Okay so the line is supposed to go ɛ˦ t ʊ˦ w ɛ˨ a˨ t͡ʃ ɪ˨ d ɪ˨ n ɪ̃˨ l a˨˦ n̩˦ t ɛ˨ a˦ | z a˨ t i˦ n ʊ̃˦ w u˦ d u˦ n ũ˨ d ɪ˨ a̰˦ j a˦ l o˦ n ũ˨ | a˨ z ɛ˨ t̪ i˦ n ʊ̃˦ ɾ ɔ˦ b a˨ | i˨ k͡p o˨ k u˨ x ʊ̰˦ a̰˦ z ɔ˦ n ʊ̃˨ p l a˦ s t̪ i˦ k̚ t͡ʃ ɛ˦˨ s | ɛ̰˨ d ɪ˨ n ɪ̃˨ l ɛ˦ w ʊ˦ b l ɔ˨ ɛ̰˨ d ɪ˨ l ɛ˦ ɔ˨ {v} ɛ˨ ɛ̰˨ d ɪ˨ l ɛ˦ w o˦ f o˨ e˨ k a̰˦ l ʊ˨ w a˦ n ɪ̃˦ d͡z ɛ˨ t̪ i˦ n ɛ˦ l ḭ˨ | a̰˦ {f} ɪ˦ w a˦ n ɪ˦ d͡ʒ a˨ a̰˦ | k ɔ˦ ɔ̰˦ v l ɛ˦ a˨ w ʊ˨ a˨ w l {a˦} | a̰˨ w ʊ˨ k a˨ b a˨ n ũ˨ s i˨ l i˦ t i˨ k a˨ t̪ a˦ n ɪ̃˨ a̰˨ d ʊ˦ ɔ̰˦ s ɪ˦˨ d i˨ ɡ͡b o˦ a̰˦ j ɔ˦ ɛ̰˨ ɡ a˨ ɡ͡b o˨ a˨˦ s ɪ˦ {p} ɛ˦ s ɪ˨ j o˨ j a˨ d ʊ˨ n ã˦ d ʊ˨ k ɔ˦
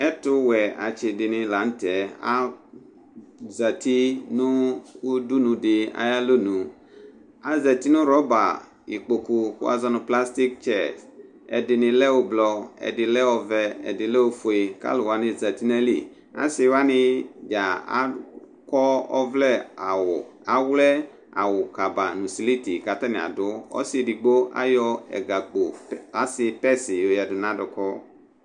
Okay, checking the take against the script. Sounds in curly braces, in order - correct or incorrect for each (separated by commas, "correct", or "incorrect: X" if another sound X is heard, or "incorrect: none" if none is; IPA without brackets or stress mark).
correct, incorrect: s, incorrect: ɛ˦, correct